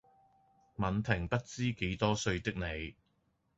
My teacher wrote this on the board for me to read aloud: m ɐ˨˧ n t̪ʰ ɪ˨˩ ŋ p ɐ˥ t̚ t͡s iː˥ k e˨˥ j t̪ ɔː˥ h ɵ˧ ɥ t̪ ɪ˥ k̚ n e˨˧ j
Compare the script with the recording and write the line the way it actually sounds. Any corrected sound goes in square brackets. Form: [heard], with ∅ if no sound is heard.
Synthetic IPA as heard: m ɐ˨˧ n t̪ʰ ɪ˨˩ ŋ p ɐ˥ t̚ t͡s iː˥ k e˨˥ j t̪ ɔː˥ [s] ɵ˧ ɥ t̪ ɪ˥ k̚ n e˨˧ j